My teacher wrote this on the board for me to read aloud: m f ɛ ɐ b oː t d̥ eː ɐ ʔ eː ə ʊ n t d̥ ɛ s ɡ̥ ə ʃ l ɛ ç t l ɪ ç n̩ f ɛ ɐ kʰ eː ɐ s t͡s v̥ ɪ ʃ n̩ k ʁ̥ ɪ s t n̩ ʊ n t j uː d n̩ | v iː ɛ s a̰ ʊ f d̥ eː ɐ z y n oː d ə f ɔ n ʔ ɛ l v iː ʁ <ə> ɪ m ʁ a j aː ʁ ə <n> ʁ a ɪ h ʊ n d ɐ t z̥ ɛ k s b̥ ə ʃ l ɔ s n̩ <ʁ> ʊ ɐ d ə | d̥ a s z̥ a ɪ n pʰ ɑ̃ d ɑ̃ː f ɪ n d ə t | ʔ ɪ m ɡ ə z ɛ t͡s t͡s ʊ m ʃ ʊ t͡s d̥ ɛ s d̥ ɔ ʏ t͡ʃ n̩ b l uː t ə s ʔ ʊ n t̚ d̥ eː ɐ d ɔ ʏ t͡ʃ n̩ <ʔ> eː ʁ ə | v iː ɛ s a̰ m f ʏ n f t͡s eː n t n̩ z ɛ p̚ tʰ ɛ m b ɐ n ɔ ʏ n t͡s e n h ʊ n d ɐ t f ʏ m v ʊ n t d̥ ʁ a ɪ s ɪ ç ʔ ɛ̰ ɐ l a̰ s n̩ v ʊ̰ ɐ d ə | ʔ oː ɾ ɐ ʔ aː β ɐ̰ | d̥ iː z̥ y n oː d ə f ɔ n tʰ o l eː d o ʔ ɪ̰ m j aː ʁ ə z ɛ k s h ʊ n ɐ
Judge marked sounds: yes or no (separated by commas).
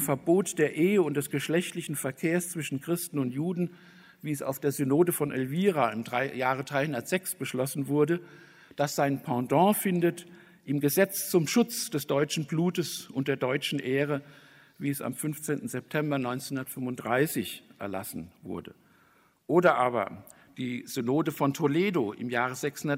no, no, no, yes